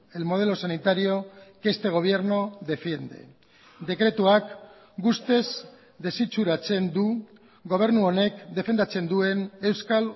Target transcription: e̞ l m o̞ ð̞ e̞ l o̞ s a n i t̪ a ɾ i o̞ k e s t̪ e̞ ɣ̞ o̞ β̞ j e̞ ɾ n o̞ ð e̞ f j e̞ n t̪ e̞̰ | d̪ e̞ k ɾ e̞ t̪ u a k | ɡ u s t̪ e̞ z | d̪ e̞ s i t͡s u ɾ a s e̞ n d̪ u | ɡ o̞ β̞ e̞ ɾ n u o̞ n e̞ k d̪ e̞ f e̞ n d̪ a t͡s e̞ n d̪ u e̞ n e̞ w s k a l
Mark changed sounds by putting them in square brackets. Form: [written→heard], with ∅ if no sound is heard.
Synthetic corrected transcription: e̞ l m o̞ ð̞ e̞ l o̞ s a n i t̪ a ɾ i o̞ k e s t̪ e̞ ɣ̞ o̞ β̞ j e̞ ɾ n o̞ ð e̞ f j e̞ n [t̪→d̪] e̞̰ | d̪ e̞ k ɾ e̞ t̪ u a k | ɡ u s t̪ e̞ z | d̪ e̞ s i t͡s u ɾ a [s→t͡s] e̞ n d̪ u | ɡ o̞ β̞ e̞ ɾ n u o̞ n e̞ k d̪ e̞ f e̞ n d̪ a t͡s e̞ n d̪ u e̞ n e̞ w s k a l